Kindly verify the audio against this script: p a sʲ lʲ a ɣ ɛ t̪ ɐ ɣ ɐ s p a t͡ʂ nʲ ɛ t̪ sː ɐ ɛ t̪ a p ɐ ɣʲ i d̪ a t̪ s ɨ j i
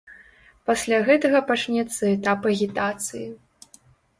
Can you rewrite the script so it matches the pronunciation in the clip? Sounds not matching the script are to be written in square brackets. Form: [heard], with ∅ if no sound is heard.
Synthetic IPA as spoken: p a sʲ lʲ a ɣ ɛ t̪ ɐ ɣ ɐ [∅] p a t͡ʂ nʲ ɛ t̪ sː ɐ ɛ t̪ a p ɐ ɣʲ i [t̪] a t̪ s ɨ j i